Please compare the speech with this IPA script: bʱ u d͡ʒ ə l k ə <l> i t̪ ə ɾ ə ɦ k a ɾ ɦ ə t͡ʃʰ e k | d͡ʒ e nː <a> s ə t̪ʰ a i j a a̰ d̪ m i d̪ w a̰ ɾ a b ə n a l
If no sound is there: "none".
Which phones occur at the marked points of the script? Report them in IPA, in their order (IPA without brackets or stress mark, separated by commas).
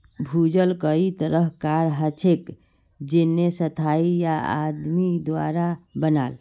none, e